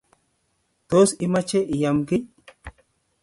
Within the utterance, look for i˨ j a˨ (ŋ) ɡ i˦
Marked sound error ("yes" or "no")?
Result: yes